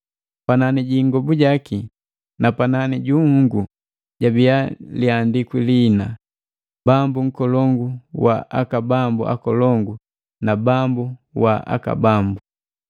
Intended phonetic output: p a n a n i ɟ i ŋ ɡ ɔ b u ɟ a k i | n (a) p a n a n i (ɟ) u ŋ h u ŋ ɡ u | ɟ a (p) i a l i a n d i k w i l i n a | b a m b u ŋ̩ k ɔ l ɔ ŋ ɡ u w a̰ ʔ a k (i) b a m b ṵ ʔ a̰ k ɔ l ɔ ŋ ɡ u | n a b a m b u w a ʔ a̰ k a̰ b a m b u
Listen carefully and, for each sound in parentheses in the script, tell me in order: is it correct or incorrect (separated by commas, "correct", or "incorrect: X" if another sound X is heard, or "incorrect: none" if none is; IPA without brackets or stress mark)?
correct, correct, incorrect: b, incorrect: a